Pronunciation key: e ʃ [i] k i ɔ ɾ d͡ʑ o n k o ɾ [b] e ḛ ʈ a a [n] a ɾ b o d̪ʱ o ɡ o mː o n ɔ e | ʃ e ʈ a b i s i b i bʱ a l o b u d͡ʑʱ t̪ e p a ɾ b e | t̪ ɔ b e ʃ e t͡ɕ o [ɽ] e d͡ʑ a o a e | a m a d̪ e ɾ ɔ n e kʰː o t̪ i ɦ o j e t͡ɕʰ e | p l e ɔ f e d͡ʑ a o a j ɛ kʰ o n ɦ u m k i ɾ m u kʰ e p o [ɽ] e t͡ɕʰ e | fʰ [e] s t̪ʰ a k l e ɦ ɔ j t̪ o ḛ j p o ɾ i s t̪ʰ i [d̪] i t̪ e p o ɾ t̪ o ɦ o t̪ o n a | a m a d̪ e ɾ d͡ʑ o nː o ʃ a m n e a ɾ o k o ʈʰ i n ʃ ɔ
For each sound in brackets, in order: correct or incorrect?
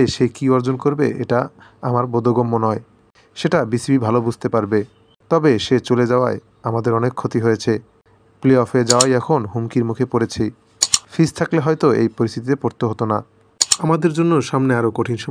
incorrect, correct, incorrect, incorrect, incorrect, incorrect, incorrect

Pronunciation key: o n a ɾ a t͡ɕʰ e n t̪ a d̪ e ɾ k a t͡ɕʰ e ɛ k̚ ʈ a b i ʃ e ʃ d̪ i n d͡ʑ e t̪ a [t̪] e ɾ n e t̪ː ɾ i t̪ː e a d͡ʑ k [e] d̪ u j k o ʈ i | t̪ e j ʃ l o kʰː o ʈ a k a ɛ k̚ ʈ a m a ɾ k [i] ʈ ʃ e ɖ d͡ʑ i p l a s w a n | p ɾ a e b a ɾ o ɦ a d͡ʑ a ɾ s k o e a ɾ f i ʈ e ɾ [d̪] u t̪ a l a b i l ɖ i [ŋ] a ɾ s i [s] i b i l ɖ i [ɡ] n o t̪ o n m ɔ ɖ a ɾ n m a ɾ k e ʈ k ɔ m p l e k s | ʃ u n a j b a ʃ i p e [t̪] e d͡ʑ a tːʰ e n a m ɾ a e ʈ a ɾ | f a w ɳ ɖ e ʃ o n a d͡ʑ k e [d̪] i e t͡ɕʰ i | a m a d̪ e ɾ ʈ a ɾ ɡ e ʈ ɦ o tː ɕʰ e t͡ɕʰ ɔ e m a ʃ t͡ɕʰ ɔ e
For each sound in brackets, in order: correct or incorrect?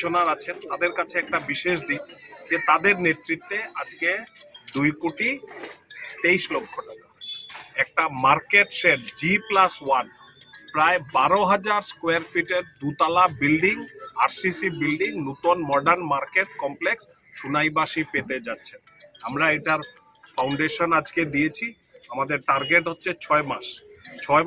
incorrect, correct, incorrect, correct, correct, correct, incorrect, correct, correct

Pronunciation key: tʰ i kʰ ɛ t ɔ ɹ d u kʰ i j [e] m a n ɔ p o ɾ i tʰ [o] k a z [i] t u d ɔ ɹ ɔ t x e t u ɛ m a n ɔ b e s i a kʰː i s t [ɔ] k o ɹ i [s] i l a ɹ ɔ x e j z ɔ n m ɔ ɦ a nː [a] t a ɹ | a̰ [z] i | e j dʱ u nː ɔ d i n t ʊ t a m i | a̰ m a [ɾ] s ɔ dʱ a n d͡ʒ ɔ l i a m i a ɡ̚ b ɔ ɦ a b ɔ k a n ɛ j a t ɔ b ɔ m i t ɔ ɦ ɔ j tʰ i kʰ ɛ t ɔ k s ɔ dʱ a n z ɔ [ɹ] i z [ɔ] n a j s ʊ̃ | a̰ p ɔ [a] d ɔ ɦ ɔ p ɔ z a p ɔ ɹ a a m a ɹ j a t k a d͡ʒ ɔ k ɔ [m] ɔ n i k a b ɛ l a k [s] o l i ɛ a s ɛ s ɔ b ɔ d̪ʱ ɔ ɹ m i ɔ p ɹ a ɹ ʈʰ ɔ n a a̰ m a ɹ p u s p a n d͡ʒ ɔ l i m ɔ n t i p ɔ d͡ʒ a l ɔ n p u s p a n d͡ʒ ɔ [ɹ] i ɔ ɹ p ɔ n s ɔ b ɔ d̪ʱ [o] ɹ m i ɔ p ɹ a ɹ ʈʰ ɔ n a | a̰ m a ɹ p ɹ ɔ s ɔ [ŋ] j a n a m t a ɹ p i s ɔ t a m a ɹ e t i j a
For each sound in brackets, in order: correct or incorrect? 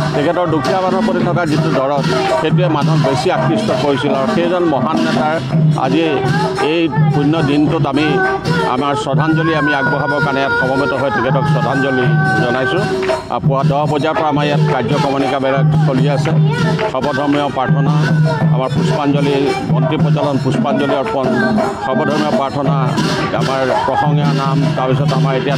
incorrect, incorrect, correct, correct, correct, incorrect, correct, incorrect, incorrect, correct, correct, correct, correct, incorrect, incorrect, correct

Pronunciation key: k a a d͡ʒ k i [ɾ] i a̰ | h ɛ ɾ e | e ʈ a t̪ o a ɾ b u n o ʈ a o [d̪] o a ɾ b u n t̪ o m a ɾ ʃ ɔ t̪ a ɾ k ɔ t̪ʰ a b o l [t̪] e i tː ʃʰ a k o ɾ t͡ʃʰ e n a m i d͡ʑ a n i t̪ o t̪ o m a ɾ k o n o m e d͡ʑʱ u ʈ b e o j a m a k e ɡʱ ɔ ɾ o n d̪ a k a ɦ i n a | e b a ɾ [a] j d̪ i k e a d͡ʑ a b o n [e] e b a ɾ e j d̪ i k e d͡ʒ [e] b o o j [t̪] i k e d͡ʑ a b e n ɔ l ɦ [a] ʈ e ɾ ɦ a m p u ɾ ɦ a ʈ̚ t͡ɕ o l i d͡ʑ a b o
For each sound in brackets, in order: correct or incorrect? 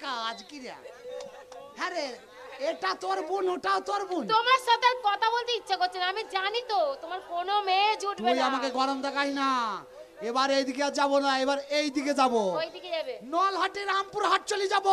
correct, incorrect, correct, incorrect, incorrect, incorrect, incorrect, correct

